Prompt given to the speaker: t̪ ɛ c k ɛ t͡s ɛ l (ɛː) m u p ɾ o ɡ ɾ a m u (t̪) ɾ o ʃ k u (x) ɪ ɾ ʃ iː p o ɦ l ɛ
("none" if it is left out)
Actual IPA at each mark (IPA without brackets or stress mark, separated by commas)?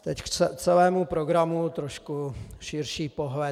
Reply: ɛː, t̪, ʃ